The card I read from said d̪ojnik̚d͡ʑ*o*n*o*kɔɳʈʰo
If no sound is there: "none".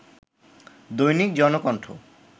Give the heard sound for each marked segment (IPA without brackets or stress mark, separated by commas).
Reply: ɔ, o